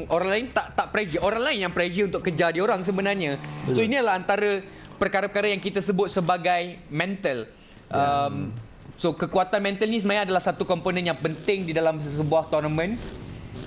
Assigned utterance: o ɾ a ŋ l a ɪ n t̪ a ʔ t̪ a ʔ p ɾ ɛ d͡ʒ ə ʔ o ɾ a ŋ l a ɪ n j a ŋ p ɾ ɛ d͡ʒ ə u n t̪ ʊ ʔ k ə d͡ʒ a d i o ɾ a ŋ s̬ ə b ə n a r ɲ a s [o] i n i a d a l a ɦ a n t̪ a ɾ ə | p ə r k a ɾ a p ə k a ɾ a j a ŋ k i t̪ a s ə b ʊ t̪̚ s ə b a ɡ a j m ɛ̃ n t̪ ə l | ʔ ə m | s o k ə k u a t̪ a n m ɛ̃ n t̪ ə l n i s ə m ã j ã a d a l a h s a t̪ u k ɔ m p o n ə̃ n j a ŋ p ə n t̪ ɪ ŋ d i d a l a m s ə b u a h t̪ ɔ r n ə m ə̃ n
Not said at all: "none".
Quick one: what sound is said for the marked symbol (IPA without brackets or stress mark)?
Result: o